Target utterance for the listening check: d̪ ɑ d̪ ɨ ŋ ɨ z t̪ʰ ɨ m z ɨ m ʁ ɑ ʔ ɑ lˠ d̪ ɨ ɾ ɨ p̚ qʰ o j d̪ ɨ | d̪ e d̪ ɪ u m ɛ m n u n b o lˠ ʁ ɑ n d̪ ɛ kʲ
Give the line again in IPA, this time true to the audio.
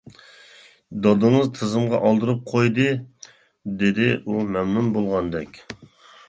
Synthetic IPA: d̪ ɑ d̪ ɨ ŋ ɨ z t̪ʰ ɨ z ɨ m ʁ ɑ ʔ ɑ lˠ d̪ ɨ ɾ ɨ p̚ qʰ o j d̪ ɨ | d̪ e d̪ ɪ u m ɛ m n u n b o lˠ ʁ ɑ n d̪ ɛ kʲ